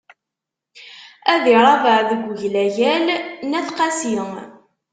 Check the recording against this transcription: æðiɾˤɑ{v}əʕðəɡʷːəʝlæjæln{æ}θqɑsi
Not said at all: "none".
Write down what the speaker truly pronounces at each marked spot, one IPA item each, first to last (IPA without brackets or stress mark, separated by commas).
v, æ